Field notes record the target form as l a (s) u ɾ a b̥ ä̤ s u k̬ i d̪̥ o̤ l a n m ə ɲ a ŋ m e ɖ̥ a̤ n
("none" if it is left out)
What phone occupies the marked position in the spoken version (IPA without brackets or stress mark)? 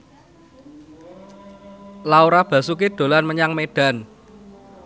none